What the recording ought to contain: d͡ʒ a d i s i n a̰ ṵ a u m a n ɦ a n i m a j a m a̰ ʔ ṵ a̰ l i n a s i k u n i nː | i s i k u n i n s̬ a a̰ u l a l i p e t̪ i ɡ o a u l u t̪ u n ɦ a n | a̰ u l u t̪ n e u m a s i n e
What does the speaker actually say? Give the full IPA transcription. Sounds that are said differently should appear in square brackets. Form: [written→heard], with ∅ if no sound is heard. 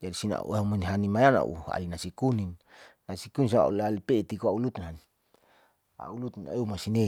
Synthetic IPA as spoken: d͡ʒ a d i s i n a̰ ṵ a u m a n ɦ a n i m a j a [m→n] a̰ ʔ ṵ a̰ l i n a s i k u n i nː | [i→a] s i k u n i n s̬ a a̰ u l a l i p e t̪ i [ɡ→k] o a u l u t̪ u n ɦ a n | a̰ u l u t̪ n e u m a s i n e